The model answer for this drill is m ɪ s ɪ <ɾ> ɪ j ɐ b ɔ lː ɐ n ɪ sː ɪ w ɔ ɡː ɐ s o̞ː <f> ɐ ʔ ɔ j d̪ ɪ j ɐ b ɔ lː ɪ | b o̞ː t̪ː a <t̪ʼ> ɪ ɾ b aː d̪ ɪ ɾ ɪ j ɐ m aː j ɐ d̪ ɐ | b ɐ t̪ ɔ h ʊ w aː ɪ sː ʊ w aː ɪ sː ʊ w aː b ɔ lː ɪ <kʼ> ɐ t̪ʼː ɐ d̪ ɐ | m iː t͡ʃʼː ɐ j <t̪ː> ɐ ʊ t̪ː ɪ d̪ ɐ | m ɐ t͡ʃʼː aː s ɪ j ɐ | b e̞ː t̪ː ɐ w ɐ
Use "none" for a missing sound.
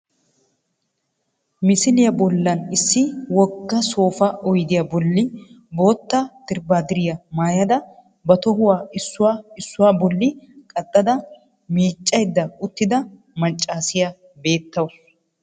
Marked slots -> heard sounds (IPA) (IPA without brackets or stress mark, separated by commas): l, f, t̪, kʼ, d̪ː